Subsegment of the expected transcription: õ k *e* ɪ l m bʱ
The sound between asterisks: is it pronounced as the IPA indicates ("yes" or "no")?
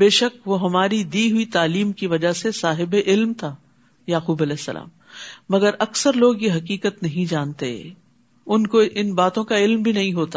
no